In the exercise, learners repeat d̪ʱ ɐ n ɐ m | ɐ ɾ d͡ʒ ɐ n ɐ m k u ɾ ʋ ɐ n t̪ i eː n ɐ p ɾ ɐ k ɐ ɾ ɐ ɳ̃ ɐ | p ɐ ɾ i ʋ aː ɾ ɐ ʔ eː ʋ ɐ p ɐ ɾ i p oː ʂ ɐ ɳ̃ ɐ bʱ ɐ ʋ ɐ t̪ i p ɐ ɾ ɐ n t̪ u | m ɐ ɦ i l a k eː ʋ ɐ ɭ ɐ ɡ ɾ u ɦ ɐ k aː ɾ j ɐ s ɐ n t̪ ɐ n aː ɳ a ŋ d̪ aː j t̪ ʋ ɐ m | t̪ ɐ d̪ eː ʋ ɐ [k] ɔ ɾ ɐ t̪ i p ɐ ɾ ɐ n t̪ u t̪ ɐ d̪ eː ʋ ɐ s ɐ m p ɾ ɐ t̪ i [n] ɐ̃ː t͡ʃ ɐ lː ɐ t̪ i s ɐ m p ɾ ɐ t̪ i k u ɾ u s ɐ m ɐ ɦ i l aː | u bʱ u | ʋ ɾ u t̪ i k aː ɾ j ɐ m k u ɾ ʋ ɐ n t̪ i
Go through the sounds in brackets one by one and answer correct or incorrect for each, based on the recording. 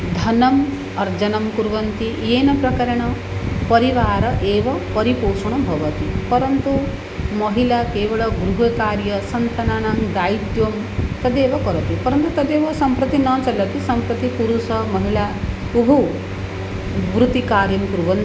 correct, correct

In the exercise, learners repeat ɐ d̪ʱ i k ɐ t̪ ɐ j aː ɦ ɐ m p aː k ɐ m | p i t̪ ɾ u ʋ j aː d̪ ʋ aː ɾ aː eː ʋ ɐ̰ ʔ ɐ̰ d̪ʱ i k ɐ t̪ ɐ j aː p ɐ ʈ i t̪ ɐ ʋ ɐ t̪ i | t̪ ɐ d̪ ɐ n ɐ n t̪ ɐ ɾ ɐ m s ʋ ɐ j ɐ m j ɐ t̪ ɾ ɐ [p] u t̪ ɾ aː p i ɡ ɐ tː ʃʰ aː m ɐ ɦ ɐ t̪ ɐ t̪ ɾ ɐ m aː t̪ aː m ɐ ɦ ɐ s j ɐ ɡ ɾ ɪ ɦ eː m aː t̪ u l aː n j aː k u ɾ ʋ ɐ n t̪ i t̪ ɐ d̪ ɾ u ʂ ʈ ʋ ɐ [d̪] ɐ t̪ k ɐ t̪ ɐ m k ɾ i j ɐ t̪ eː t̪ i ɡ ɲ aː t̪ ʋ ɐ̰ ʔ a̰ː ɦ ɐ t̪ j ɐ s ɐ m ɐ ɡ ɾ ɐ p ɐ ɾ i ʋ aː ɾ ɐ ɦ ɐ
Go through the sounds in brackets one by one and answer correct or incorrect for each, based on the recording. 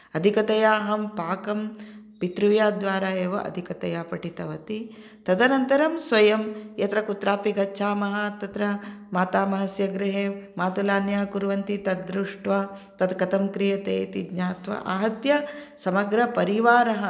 incorrect: k, incorrect: t̪

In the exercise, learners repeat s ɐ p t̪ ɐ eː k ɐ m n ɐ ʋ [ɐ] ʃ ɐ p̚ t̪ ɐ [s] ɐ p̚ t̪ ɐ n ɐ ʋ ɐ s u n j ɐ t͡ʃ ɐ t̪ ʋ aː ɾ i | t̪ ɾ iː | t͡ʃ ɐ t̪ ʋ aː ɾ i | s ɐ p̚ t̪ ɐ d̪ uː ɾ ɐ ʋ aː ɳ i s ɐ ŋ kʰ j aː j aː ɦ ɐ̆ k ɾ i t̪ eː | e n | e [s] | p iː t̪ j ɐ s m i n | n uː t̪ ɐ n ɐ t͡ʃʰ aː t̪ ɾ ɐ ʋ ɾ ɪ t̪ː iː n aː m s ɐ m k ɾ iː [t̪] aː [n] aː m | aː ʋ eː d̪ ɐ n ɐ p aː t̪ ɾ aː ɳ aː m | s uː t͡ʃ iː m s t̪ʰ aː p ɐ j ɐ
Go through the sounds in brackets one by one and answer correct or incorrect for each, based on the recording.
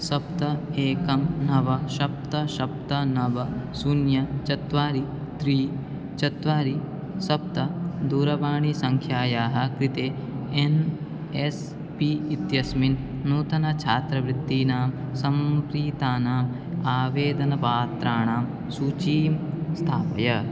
correct, incorrect: ʃ, correct, correct, correct

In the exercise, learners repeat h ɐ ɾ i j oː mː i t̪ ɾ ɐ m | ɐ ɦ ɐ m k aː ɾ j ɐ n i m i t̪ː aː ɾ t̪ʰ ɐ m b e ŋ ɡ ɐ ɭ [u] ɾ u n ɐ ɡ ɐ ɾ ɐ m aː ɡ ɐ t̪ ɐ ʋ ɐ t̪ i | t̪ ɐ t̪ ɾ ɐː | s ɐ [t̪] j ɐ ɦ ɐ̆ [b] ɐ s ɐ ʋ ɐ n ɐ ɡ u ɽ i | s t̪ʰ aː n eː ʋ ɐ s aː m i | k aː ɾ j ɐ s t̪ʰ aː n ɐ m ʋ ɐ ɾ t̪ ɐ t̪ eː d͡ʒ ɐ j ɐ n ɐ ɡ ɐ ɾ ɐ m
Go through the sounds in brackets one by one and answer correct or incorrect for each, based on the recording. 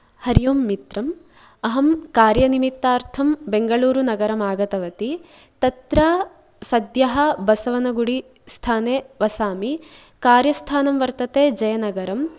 incorrect: uː, incorrect: d̪, correct

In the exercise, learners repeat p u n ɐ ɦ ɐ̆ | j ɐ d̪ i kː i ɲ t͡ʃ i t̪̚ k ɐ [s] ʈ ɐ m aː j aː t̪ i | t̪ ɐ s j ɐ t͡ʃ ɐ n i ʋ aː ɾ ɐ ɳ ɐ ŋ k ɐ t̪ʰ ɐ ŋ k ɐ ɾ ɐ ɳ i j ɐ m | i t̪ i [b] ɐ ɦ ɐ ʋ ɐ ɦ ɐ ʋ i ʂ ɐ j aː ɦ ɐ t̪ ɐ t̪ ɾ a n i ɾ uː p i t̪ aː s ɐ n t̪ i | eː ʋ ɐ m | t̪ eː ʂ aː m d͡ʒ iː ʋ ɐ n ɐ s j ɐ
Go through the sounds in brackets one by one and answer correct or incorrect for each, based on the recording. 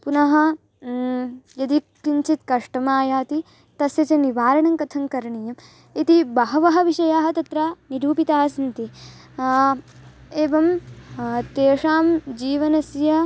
incorrect: ʂ, correct

